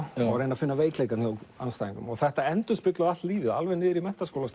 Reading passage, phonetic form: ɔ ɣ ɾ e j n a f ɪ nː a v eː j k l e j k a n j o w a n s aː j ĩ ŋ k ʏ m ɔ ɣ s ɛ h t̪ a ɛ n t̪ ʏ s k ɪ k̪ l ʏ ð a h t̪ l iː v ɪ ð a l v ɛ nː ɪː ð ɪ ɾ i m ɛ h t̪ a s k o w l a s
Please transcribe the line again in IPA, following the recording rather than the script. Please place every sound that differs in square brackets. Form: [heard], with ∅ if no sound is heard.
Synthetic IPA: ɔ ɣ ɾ e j n a f ɪ nː a v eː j k l e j k a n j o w a n s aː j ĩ ŋ k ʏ m ɔ ɣ [θ] ɛ h t̪ a ɛ n t̪ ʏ s [p] ɪ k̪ l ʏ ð a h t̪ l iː v ɪ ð a l v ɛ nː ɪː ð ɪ ɾ i m ɛ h t̪ a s k o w l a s